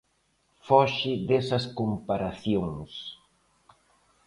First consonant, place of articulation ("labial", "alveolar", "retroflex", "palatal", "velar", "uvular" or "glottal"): labial